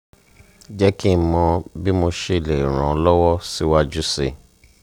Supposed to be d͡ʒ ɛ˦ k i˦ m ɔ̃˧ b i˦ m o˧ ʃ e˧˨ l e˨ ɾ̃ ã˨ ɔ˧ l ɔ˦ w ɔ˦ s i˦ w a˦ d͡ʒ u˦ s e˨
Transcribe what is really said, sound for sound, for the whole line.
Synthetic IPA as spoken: d͡ʒ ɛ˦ k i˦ m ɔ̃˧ b i˦ m o˧ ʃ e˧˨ l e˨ ɾ̃ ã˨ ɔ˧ l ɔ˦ w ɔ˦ s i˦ w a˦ d͡ʒ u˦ s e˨